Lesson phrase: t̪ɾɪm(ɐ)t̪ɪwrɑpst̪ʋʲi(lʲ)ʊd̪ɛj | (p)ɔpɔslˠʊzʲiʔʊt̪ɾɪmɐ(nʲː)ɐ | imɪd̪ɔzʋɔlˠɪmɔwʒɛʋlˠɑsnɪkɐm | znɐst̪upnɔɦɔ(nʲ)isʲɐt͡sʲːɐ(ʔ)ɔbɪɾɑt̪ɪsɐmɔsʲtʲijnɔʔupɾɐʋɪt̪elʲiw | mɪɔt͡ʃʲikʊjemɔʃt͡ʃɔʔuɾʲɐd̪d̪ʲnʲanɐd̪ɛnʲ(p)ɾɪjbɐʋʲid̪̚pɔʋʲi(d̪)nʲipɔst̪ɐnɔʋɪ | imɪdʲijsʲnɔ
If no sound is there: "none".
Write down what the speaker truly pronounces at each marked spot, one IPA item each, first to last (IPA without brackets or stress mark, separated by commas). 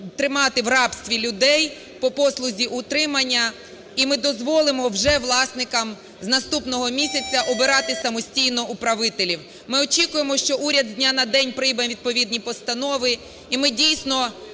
ɑ, lʲ, p, nʲː, mʲ, ʔ, p, d̪